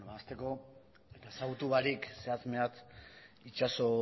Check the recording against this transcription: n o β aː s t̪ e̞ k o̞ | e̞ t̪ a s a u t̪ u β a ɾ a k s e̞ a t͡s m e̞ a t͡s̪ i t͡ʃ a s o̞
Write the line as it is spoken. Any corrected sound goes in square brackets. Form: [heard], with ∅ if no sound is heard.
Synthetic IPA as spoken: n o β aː s t̪ e̞ k o̞ | e̞ t̪ a s a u t̪ u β a ɾ [i] k s e̞ a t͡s m e̞ a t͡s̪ i t͡ʃ a s o̞